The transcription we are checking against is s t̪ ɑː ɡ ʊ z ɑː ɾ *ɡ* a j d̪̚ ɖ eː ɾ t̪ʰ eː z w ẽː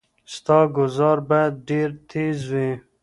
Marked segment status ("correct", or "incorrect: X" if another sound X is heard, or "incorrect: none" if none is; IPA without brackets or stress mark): incorrect: b